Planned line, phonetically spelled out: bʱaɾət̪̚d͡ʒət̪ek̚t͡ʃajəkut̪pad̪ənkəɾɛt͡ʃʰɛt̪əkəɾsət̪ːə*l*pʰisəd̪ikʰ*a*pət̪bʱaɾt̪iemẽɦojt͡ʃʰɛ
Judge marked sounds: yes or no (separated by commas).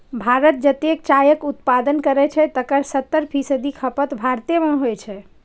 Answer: no, no